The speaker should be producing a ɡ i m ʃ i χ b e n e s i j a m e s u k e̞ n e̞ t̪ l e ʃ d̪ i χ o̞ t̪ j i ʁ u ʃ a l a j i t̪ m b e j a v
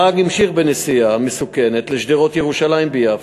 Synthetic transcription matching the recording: a ɡ i m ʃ i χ b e n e s i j a m e s u k e̞ n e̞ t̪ l e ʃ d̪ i ʁ o̞ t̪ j e ʁ u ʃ a l a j i m b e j a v